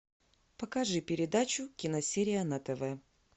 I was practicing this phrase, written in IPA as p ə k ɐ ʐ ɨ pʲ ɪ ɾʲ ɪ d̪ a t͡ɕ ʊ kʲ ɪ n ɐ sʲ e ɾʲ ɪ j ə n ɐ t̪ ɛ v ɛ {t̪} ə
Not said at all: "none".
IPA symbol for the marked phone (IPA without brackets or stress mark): none